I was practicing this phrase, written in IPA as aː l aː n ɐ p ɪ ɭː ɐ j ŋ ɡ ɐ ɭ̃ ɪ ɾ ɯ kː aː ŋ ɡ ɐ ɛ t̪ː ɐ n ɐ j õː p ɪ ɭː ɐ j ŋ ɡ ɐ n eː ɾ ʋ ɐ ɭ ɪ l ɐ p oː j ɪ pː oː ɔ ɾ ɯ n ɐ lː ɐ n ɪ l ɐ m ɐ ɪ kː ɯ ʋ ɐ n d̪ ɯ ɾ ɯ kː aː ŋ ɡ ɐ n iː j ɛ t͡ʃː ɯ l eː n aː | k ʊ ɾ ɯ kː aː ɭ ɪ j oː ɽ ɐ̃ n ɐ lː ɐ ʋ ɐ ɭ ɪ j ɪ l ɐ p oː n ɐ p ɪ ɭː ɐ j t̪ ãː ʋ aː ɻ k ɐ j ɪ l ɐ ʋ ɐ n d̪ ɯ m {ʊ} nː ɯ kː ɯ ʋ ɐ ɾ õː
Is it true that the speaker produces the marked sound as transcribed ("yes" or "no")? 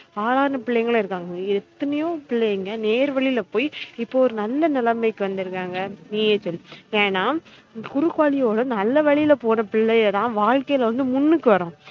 yes